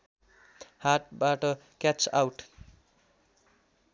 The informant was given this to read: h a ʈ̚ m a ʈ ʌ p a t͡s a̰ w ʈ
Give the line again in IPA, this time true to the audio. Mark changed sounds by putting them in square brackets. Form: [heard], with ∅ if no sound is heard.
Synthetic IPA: h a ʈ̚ [b] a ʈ ʌ [k] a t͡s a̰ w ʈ